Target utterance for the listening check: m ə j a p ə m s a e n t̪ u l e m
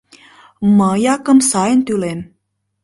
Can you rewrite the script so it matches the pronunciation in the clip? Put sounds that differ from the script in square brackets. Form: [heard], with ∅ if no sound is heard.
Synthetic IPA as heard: m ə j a [k] ə m s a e n t̪ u l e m